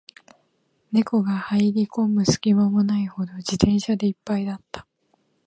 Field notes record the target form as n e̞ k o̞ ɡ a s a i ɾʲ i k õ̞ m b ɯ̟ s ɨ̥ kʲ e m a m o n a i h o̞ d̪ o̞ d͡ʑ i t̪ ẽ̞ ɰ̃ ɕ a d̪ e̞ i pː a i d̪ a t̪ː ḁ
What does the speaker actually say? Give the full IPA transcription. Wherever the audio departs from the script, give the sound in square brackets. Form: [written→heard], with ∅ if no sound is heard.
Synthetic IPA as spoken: n e̞ k o̞ ɡ a [s→h] a i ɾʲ i k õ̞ m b ɯ̟ s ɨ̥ kʲ [e→i] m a m o n a i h o̞ d̪ o̞ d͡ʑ i t̪ ẽ̞ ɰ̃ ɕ a d̪ e̞ i pː a i d̪ a t̪ː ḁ